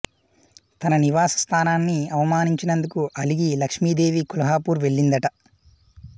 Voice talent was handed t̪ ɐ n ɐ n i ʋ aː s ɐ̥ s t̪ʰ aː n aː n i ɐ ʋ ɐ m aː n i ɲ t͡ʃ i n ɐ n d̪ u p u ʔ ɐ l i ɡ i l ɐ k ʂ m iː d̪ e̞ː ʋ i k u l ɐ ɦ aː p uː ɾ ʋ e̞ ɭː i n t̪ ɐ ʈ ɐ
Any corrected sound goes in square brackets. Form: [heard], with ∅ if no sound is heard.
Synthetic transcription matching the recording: t̪ ɐ n ɐ n i ʋ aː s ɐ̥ s t̪ʰ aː n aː [nː] i ɐ ʋ ɐ m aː n i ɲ t͡ʃ i n ɐ n d̪ u [k] u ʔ ɐ l i ɡ i l ɐ k ʂ m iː d̪ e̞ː ʋ i k u l ɐ ɦ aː p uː ɾ ʋ e̞ ɭː i n [d̪] ɐ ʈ ɐ

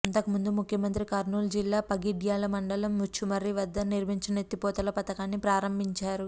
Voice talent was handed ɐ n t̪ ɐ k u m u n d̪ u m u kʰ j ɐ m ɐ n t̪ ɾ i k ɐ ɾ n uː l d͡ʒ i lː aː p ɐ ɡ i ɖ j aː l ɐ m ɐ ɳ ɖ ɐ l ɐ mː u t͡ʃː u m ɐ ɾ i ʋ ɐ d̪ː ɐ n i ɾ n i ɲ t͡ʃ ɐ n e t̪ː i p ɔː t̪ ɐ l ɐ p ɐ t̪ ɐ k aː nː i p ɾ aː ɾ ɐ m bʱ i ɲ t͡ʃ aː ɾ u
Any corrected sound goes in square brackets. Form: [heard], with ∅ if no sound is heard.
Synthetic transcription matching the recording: ɐ n t̪ ɐ k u m u n d̪ u m u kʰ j ɐ m ɐ n t̪ ɾ i k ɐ ɾ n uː l d͡ʒ i lː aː p ɐ ɡ i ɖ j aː l ɐ m ɐ ɳ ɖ ɐ l ɐ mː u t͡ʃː u m ɐ ɾ i ʋ ɐ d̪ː ɐ n i ɾ [m] i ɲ t͡ʃ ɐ n e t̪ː i p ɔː t̪ ɐ l ɐ p ɐ t̪ ɐ k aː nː i p ɾ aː ɾ ɐ m bʱ i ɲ t͡ʃ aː ɾ u

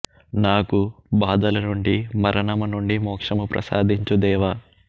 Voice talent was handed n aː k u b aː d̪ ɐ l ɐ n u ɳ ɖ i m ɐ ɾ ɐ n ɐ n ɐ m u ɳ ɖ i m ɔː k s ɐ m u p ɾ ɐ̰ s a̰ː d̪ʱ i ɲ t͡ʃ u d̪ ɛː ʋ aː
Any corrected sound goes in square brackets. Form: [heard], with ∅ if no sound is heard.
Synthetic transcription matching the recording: n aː k u b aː d̪ ɐ l ɐ n u ɳ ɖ i m ɐ ɾ ɐ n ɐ [m] ɐ [n] u ɳ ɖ i m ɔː k [ʂ] ɐ m u p ɾ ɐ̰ s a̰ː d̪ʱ i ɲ t͡ʃ u d̪ ɛː ʋ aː

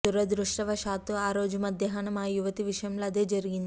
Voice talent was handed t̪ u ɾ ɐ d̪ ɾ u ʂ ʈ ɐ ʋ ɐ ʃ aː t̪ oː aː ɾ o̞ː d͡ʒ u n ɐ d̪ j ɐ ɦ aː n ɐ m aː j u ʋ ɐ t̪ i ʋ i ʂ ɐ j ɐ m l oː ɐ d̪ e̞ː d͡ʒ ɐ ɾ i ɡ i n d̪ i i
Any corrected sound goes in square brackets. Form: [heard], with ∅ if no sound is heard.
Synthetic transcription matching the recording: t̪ u ɾ ɐ d̪ ɾ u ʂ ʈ ɐ ʋ ɐ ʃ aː t̪ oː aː ɾ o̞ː d͡ʒ u [m] ɐ d̪ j ɐ ɦ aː n ɐ m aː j u ʋ ɐ t̪ i ʋ i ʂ ɐ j ɐ m l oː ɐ d̪ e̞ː d͡ʒ ɐ ɾ i ɡ i n d̪ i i

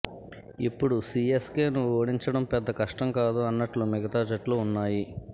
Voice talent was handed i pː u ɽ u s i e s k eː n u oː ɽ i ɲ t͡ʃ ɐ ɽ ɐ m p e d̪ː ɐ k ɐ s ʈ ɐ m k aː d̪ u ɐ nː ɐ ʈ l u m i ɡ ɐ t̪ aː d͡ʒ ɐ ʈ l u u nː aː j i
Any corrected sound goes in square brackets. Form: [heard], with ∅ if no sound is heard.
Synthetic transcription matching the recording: i pː u ɽ u s i e s k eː n u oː ɽ i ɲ t͡ʃ ɐ ɽ ɐ m p [ɛ] d̪ː ɐ k ɐ [ʂ] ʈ ɐ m k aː d̪ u ɐ nː ɐ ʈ l u m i ɡ ɐ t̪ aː d͡ʒ ɐ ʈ l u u nː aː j i

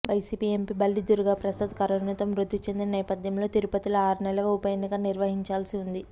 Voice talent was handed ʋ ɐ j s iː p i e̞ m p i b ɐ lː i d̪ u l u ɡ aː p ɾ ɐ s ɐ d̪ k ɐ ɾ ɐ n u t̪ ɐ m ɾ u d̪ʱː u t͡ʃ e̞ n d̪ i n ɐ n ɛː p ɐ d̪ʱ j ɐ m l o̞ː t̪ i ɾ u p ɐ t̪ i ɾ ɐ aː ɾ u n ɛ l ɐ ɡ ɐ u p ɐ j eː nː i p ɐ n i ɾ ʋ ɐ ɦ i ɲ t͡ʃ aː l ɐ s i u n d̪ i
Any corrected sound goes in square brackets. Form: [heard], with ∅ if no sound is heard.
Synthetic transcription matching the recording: ʋ ɐ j s iː p i e̞ m p i b ɐ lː i d̪ u [ɾ] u ɡ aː p ɾ ɐ s ɐ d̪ k ɐ ɾ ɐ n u t̪ ɐ m ɾ u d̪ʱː u t͡ʃ e̞ n d̪ i n ɐ n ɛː p ɐ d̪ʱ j ɐ m l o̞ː t̪ i ɾ u p ɐ t̪ i [l] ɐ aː ɾ u n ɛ l ɐ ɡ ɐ u p ɐ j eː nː i [k] ɐ n i ɾ ʋ ɐ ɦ i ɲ t͡ʃ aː l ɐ s i u n d̪ i

